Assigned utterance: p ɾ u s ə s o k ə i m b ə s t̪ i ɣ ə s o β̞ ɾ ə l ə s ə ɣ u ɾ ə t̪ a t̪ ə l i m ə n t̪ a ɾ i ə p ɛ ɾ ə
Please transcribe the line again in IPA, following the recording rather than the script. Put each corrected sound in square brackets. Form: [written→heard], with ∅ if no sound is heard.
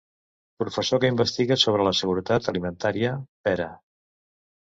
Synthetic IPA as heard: p ɾ u [s→f] ə s o k ə i m b ə s t̪ i ɣ ə s o β̞ ɾ ə l ə s ə ɣ u ɾ ə t̪ a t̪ ə l i m ə n t̪ a ɾ i ə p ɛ ɾ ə